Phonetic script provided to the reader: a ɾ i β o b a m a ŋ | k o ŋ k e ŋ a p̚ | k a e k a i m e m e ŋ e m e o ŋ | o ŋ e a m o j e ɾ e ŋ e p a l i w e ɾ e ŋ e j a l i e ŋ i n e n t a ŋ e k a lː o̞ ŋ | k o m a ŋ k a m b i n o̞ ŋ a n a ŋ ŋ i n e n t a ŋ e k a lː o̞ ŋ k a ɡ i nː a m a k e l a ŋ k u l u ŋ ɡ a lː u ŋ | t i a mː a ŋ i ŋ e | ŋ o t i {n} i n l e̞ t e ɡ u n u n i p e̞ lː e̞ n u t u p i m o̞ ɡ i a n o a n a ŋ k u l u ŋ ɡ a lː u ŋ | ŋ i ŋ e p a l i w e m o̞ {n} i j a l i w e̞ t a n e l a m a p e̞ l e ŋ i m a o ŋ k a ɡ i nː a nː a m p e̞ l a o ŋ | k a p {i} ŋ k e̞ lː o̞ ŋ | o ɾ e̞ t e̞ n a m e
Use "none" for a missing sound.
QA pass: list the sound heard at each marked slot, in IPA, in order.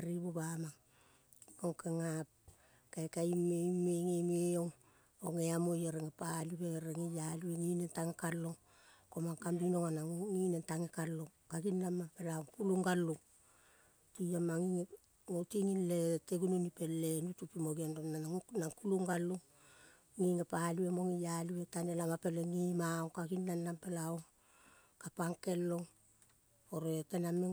ŋ, ŋ, a

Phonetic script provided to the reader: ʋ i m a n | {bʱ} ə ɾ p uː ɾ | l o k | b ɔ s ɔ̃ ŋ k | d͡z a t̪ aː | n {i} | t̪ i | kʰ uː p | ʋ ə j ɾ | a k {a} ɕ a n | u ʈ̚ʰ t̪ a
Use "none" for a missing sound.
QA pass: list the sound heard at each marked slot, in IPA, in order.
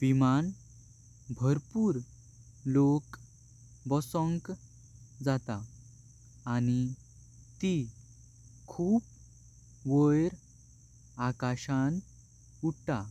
bʱ, i, a

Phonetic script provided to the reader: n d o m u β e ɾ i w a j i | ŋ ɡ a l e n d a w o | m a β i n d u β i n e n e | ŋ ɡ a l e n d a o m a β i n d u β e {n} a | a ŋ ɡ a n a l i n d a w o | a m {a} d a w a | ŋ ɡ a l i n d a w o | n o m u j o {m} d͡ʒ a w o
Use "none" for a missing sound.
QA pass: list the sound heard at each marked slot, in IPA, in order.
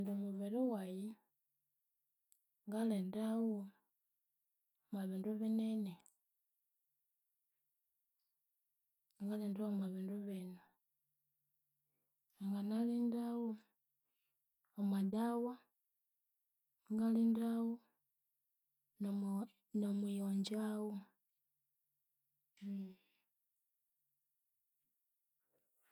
n, a, ɲ

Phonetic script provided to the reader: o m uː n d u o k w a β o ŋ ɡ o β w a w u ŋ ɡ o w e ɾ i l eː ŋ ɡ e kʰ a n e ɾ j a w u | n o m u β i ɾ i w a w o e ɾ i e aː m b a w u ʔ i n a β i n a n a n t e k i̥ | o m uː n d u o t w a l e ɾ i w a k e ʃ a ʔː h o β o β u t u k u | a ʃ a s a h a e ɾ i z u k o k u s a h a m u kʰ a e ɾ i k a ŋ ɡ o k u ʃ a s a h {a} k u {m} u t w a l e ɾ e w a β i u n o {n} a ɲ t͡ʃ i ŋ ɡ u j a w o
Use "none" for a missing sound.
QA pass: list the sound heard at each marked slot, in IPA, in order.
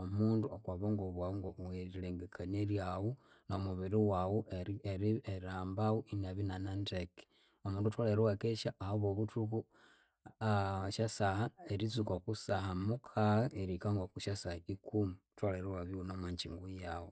i, m, m

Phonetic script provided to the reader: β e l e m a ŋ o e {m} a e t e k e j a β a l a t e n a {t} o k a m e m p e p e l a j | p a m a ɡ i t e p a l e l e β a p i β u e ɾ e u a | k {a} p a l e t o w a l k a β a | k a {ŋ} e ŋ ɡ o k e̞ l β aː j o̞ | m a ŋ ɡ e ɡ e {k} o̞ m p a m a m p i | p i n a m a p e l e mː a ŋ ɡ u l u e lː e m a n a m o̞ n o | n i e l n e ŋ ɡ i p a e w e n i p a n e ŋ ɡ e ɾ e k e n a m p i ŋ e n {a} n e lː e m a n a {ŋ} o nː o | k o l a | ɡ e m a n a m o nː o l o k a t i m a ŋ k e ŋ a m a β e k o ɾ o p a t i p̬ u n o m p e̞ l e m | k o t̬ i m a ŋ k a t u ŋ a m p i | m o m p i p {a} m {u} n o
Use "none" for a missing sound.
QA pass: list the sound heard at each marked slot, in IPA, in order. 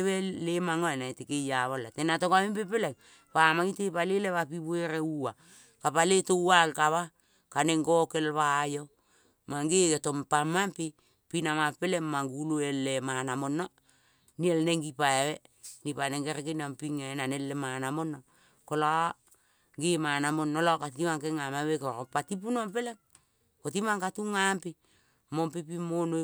n, t, a, n, t, a, m, i, o

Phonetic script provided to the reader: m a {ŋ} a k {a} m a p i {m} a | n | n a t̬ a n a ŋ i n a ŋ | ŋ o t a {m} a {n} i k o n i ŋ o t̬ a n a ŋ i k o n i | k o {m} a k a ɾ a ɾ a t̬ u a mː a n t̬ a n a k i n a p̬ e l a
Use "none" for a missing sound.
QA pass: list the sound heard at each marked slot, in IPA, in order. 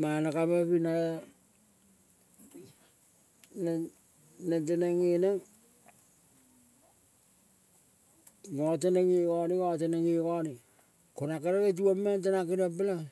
n, a, n, n, ŋ, n

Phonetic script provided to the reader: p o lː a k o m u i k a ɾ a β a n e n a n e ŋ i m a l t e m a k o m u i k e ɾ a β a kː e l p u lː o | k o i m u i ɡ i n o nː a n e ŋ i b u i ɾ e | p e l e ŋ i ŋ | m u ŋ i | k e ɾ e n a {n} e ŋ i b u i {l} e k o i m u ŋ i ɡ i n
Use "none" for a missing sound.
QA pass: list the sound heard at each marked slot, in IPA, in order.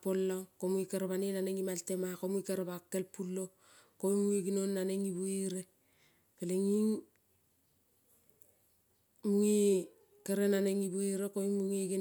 n, ɾ

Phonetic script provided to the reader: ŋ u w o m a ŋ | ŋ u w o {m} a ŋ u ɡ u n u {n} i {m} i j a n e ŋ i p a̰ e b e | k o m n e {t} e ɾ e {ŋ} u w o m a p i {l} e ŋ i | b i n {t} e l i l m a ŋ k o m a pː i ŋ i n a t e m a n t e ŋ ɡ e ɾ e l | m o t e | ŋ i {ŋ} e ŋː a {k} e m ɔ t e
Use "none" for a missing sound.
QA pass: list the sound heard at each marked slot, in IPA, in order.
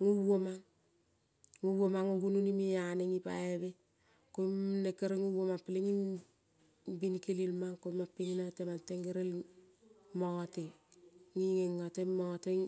m, n, m, k, ŋ, l, k, ŋ, t

